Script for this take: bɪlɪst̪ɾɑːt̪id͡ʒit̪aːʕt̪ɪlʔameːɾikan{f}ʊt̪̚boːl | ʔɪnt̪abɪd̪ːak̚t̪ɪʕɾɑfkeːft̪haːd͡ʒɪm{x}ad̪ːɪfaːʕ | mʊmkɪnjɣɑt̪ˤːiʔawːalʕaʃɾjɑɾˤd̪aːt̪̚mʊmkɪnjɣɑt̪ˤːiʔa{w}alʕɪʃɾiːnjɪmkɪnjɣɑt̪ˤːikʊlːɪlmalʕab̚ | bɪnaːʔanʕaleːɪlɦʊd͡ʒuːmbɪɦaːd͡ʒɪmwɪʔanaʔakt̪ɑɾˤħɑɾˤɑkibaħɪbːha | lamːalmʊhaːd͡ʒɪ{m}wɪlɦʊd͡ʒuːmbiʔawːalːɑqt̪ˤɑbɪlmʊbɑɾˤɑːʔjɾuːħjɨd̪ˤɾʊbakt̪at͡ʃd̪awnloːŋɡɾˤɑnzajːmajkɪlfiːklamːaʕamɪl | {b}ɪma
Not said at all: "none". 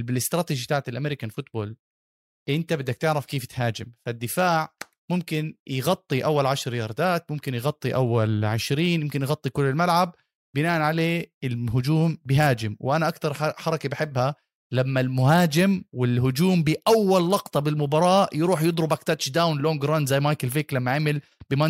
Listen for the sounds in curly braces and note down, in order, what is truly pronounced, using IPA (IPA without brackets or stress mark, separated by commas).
f, f, wː, m, b